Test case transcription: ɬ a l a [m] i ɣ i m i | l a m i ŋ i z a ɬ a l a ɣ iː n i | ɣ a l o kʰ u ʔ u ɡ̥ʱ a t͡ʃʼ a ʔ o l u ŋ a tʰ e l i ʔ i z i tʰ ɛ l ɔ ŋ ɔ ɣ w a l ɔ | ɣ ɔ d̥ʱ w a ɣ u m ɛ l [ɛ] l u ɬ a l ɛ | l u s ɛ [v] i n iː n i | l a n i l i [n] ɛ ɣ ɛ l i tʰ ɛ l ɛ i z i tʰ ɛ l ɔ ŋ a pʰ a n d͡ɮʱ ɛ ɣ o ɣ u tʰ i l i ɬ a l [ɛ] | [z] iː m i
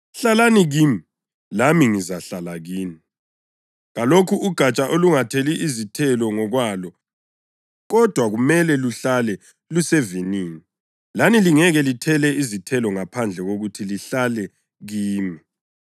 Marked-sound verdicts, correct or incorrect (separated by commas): incorrect, correct, correct, incorrect, correct, incorrect